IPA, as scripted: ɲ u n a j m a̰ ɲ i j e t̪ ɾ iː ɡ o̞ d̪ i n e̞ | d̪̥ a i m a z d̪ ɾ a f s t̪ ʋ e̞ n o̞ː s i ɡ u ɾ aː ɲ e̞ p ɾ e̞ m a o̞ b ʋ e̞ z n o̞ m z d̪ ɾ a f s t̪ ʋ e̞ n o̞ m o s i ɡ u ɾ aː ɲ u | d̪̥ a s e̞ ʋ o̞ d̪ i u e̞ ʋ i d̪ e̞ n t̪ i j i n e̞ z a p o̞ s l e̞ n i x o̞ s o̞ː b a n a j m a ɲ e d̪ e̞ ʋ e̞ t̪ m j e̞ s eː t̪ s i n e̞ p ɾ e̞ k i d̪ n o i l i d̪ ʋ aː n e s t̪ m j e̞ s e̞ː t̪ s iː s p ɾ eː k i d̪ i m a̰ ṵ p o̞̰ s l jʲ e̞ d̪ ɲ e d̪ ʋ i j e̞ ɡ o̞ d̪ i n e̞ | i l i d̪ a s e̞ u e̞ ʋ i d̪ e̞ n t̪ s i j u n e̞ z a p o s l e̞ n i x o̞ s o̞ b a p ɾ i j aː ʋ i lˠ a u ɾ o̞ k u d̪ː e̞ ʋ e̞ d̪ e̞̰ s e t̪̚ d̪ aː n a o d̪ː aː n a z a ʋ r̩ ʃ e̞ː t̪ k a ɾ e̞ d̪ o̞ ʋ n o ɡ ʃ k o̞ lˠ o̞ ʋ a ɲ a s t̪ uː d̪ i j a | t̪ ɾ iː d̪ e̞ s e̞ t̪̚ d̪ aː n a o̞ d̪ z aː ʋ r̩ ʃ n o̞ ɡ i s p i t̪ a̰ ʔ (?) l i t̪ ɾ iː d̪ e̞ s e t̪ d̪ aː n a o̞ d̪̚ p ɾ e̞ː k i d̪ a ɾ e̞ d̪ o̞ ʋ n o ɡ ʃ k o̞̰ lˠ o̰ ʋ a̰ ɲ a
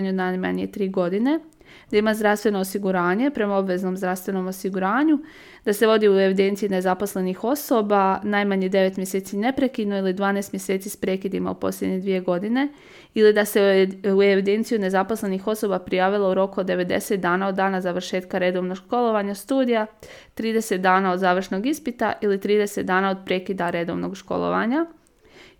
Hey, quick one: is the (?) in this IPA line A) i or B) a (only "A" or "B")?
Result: A